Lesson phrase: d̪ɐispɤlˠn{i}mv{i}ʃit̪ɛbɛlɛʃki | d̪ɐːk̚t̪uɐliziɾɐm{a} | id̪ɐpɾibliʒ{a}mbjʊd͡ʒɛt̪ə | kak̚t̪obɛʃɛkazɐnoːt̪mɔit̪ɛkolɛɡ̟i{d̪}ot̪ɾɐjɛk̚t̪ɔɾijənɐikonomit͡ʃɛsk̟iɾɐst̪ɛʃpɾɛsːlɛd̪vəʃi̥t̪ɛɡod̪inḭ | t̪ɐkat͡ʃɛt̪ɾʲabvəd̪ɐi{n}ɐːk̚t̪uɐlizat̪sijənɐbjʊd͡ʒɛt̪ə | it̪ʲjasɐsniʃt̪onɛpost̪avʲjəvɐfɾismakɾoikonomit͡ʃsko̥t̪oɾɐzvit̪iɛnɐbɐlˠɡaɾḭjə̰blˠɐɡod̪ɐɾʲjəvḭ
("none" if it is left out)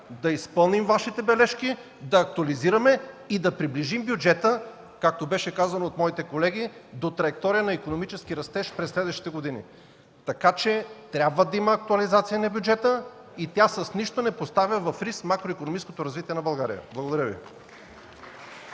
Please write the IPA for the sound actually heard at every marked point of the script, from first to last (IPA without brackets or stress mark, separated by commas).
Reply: i, a, ɛ, i, d̪, m